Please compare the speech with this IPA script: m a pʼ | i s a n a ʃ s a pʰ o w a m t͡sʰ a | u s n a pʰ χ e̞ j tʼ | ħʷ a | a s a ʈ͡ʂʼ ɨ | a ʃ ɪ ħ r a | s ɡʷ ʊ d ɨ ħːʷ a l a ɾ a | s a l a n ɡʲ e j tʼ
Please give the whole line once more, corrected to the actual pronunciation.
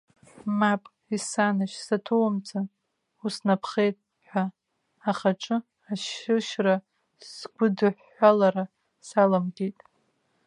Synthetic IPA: m a pʼ | i s a n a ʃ s a tʰ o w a m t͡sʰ a | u s n a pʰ χ e̞ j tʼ | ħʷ a | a χ a ʈ͡ʂʼ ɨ | a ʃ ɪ ʃ r a | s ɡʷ ʊ d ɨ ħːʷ a l a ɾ a | s a l a m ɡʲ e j tʼ